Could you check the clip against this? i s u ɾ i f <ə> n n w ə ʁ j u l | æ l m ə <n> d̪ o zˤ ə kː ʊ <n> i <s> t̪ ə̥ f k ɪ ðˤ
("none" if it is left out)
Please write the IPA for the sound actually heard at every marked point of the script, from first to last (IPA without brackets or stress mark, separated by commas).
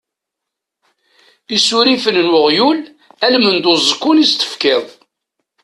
ə, n, n, s